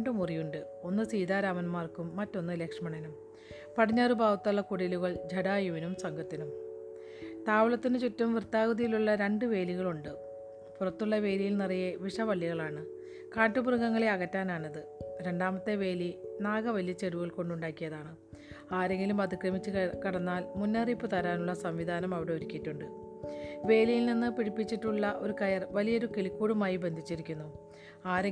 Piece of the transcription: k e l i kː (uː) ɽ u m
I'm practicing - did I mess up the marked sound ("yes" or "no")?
no